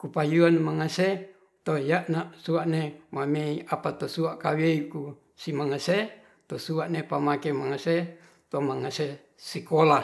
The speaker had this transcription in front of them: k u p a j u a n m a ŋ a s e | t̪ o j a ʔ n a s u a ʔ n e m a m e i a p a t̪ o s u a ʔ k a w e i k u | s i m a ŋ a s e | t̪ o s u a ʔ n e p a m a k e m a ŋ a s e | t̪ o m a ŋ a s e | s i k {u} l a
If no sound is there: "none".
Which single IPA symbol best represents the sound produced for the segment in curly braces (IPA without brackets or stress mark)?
o